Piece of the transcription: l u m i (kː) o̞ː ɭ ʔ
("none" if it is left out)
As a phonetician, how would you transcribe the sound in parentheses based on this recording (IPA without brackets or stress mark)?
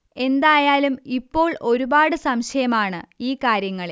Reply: pː